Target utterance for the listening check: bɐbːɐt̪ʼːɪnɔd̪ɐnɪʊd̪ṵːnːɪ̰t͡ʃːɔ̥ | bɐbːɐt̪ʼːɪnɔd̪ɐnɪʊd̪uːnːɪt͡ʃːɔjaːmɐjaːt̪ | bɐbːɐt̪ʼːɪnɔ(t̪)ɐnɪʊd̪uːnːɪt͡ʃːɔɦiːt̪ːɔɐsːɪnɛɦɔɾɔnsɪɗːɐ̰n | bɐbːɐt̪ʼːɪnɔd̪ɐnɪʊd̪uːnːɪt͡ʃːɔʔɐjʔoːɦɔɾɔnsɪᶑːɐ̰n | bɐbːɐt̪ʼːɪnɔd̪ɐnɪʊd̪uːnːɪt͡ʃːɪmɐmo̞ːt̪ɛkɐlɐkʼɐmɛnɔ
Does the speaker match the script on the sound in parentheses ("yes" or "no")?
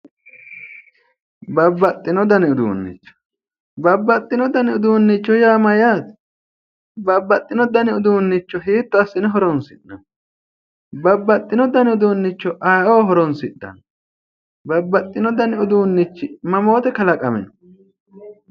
no